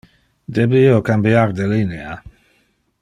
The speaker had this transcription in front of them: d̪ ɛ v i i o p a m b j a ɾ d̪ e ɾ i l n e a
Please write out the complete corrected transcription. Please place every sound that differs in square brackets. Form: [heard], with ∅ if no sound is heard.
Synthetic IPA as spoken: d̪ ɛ [b] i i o [k] a m b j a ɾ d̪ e [l] i [∅] n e a